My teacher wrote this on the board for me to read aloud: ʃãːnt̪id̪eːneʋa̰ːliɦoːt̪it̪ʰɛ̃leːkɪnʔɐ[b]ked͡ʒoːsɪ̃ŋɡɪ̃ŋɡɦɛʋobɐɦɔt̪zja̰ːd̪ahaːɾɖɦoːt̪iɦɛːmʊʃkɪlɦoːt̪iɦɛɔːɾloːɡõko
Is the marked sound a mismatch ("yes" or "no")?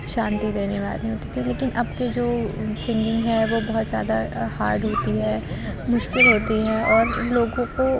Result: no